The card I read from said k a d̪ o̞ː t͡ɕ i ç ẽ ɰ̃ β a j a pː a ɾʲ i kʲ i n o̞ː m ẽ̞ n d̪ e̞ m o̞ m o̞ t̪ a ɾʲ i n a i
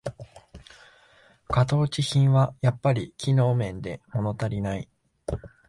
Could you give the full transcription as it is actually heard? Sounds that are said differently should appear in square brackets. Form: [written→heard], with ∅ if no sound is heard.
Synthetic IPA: k a [d̪→t̪] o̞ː t͡ɕ i ç [ẽ→ĩ] ɰ̃ β a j a pː a ɾʲ i kʲ i n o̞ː m ẽ̞ n d̪ e̞ m o̞ [m→n] o̞ t̪ a ɾʲ i n a i